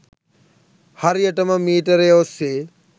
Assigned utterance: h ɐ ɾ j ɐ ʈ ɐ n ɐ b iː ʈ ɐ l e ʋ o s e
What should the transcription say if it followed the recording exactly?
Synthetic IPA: h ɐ ɾ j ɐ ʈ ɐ m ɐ m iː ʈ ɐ ɾ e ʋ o s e